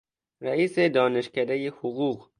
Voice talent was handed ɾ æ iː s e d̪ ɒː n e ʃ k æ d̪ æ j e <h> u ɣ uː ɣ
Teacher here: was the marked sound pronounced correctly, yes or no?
yes